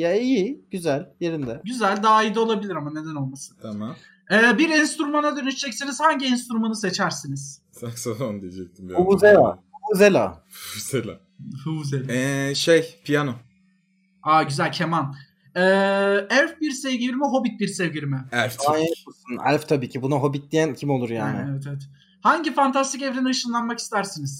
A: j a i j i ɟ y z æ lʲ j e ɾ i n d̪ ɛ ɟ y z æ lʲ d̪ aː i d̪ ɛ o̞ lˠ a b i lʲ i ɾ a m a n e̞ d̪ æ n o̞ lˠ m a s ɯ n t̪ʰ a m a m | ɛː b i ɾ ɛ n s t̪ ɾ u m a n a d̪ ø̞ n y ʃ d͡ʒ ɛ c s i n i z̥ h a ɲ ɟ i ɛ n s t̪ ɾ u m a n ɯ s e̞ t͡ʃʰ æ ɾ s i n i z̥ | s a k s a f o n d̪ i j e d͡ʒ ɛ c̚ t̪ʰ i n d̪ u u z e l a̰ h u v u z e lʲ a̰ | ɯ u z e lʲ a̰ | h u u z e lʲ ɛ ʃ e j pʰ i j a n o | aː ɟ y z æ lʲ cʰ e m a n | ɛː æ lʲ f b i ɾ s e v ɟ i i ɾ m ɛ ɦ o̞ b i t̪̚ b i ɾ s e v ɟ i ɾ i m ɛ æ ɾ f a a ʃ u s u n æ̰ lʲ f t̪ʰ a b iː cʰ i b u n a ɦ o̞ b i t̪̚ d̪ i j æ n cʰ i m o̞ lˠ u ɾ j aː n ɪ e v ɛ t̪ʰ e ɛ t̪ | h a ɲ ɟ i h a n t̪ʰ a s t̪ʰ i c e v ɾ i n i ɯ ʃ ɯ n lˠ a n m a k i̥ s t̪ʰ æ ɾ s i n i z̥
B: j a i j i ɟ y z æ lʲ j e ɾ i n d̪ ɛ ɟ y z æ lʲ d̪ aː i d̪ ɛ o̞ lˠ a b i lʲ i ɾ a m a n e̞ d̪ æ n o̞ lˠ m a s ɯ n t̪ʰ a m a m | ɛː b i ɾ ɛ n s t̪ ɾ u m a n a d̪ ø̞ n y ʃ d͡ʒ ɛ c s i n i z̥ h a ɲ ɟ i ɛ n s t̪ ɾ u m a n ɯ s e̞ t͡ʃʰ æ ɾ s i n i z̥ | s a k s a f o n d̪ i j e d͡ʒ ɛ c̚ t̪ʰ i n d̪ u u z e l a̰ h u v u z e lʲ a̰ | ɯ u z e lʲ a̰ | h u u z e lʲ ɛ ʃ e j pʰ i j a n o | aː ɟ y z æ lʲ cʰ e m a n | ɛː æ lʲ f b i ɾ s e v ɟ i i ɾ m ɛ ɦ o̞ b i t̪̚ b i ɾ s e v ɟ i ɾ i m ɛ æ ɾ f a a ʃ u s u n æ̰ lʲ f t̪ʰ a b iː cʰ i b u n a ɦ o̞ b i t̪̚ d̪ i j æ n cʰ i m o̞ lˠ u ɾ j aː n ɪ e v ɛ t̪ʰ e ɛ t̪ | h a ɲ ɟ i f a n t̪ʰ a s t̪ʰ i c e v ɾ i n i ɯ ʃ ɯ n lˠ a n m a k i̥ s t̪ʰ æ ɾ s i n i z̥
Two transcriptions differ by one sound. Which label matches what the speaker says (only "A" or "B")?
B